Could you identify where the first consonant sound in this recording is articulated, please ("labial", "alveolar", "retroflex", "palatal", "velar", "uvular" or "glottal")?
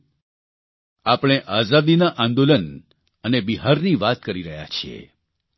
labial